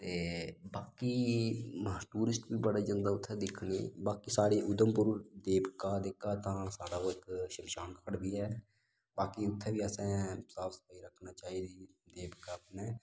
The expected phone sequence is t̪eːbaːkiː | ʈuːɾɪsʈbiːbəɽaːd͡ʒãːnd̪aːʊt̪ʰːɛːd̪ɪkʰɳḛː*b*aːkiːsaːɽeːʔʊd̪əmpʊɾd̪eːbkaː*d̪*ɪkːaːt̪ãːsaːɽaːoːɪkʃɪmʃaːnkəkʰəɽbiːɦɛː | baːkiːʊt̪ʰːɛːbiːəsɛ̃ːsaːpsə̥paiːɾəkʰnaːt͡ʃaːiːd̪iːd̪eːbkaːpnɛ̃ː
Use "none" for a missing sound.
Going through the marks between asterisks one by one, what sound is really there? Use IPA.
b, d̪

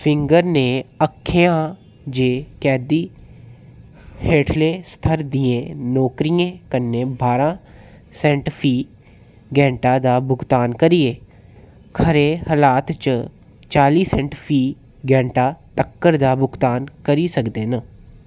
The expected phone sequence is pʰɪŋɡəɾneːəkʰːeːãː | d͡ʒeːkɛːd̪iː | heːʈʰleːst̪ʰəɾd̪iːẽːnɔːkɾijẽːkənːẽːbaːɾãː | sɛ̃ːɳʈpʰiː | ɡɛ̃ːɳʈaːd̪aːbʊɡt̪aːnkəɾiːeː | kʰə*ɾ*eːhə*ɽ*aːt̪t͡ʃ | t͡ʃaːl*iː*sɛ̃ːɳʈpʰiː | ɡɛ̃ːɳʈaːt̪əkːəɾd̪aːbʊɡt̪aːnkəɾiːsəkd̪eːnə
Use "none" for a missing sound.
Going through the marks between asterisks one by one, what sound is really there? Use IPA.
ɾ, l, iː

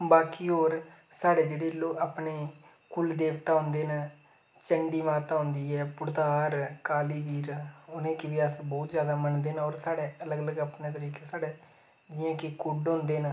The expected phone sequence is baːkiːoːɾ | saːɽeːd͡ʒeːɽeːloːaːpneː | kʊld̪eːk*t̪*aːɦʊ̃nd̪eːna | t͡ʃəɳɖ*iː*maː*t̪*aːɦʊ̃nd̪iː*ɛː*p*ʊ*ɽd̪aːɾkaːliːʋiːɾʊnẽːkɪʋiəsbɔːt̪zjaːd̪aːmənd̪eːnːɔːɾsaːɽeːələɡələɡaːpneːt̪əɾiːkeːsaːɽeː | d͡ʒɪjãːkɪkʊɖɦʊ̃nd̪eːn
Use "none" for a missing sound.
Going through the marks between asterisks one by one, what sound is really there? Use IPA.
t̪, iː, t̪, ɛː, ʊ

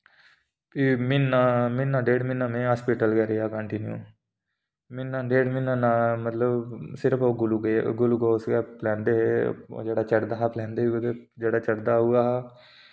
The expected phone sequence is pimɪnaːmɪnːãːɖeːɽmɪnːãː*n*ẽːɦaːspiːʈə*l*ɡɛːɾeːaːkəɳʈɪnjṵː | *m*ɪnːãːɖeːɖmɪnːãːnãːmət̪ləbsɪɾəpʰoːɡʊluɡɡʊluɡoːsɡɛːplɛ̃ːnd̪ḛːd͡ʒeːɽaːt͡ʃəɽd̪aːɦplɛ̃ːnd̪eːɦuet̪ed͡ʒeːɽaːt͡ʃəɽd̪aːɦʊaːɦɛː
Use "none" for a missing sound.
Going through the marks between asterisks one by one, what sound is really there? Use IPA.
m, l, m

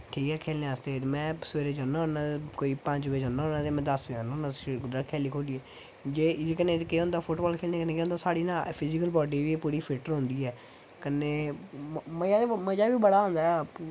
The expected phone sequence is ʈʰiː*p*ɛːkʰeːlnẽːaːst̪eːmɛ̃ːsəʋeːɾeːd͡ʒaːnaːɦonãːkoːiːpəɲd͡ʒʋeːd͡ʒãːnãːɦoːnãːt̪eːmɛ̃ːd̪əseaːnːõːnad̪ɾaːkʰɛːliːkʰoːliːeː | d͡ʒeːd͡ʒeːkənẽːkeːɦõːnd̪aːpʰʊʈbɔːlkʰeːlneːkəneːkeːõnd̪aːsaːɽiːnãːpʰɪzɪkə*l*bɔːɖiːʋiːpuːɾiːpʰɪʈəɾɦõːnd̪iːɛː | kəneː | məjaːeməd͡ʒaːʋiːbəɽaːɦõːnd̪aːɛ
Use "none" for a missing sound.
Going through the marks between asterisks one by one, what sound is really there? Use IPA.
k, l

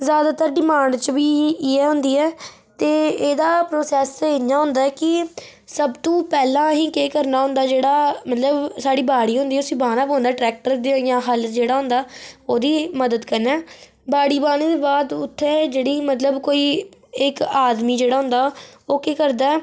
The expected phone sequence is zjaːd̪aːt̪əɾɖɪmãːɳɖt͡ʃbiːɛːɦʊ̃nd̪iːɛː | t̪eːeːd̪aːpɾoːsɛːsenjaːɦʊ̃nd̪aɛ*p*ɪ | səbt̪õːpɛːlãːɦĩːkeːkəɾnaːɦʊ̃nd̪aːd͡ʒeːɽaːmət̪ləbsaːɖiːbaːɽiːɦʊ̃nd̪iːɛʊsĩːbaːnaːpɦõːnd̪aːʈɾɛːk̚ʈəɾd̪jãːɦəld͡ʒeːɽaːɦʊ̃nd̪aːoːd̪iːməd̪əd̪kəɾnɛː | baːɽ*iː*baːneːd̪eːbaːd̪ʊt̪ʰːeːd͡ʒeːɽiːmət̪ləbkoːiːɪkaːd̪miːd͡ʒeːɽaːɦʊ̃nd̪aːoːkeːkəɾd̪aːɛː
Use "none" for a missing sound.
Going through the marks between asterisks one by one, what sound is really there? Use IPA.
k, iː

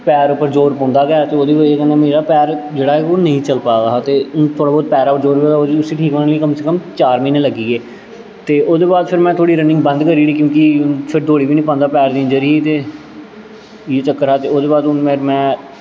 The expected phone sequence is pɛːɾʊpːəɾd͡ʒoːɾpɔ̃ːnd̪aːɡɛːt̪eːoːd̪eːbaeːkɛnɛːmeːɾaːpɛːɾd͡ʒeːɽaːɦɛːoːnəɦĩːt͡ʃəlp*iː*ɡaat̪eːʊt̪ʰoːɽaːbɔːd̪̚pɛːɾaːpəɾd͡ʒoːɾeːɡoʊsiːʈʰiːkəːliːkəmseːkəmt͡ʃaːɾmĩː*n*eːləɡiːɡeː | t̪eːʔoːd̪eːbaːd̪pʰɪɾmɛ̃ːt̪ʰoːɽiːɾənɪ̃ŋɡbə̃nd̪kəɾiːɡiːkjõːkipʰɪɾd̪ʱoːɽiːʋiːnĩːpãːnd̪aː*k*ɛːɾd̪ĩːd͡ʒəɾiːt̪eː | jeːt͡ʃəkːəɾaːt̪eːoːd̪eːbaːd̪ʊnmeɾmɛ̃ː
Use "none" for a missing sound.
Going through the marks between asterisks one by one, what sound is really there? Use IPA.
aː, n, p

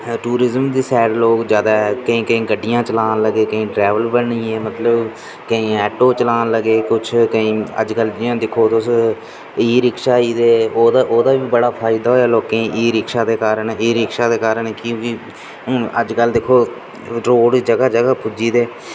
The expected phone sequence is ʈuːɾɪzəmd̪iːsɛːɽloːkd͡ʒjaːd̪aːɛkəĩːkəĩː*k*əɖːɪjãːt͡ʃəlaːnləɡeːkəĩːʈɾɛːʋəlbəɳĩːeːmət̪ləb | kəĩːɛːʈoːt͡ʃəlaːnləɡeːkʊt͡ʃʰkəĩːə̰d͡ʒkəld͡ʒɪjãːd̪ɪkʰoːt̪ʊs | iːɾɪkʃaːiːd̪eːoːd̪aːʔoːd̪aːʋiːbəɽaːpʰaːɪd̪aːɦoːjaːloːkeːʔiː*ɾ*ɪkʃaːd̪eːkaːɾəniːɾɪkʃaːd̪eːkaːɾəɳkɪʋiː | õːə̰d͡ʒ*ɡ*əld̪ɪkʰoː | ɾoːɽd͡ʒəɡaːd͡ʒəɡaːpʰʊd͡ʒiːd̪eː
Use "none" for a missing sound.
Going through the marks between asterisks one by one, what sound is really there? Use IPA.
ɡ, ɾ, k

